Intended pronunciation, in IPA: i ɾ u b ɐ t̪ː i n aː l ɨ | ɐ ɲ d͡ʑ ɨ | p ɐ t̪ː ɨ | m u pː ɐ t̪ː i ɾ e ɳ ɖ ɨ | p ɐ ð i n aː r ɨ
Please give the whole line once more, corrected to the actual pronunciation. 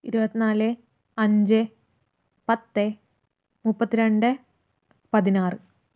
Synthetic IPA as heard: i ɾ u b ɐ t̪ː i n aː l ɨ | ɐ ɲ d͡ʑ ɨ | p ɐ t̪ː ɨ | m u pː ɐ t̪ː i ɾ e ɳ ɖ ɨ | p ɐ ð i n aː r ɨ